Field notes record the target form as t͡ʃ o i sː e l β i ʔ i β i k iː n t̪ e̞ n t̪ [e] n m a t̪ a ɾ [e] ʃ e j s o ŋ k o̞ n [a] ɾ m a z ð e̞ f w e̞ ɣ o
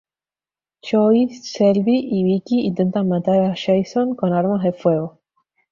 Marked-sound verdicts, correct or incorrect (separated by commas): incorrect, incorrect, correct